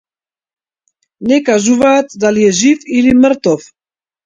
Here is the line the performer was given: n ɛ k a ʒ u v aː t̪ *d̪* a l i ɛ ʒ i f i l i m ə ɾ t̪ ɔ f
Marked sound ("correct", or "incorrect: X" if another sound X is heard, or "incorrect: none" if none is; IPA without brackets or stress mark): correct